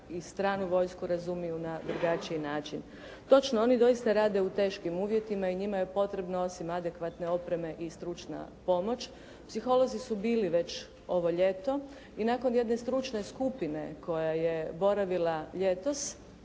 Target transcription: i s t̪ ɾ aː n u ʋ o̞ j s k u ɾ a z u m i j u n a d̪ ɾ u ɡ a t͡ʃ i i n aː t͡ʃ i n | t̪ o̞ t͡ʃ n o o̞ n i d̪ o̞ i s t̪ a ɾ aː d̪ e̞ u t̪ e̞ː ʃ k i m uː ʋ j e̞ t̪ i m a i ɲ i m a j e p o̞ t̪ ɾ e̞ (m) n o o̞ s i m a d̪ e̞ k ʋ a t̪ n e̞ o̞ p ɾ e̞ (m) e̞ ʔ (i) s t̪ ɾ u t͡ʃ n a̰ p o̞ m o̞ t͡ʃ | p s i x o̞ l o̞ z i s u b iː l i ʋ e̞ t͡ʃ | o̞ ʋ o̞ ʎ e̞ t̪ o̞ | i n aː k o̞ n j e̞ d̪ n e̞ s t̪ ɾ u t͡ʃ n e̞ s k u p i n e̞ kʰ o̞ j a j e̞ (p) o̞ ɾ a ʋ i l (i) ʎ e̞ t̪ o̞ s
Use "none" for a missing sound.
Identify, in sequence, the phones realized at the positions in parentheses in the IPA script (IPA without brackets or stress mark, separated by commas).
b, m, i, b, a